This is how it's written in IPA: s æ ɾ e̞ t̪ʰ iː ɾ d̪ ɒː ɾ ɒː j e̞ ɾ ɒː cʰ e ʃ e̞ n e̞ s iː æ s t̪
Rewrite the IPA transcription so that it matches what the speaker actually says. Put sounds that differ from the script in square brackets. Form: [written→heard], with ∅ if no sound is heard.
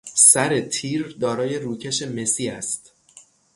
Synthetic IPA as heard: s æ ɾ e̞ t̪ʰ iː ɾ d̪ ɒː ɾ ɒː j e̞ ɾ [ɒː→uː] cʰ e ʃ e̞ [n→m] e̞ s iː æ s t̪